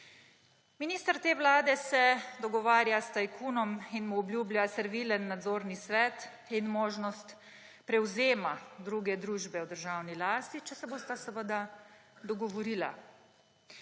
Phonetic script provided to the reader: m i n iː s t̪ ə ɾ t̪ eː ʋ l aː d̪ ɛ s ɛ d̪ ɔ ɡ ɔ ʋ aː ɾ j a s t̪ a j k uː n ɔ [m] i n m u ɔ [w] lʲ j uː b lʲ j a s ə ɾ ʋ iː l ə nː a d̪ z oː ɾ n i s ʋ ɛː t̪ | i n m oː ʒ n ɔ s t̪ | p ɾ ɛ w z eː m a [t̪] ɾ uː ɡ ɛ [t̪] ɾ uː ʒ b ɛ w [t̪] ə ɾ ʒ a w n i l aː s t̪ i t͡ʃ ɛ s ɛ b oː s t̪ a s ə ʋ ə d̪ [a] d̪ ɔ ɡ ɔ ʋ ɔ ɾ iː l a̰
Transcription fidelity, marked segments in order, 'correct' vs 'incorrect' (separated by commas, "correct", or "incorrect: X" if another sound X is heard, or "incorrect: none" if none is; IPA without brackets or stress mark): correct, incorrect: b, incorrect: d̪, incorrect: d̪, incorrect: d̪, correct